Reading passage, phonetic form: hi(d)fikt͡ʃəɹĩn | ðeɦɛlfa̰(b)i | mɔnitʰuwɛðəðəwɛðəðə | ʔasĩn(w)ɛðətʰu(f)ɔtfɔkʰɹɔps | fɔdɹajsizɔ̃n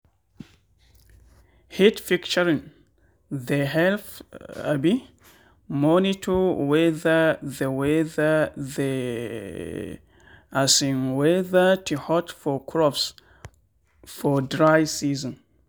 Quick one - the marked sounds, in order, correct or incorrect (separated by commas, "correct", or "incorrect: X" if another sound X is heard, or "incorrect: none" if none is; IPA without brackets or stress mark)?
incorrect: t, correct, correct, incorrect: h